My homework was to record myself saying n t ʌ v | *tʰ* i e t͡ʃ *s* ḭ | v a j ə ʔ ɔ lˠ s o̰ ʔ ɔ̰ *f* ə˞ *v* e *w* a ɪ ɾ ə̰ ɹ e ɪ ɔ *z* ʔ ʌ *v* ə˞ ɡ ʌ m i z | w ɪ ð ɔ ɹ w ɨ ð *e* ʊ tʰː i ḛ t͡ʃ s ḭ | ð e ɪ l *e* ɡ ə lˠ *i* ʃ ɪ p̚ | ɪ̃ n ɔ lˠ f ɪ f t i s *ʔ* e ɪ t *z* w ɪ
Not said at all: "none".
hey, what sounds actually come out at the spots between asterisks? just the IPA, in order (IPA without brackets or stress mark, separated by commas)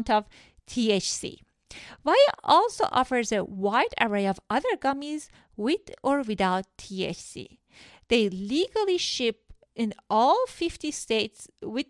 tʰ, s, f, z, w, v, ð, a, i, i, t, s